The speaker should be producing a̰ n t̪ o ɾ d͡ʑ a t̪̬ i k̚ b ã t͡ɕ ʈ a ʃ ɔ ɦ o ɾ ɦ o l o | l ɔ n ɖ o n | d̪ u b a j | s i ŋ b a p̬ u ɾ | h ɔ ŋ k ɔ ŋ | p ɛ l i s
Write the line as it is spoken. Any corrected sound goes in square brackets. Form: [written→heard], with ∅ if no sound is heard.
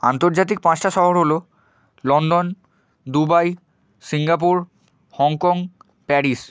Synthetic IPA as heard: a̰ n t̪ o ɾ d͡ʑ a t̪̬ i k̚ [b→p] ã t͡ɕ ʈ a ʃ ɔ ɦ o ɾ ɦ o l o | l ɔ n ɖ o n | d̪ u b a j | s i ŋ [b→ɡ] a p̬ u ɾ | h ɔ ŋ k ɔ ŋ | p ɛ [l→ɾ] i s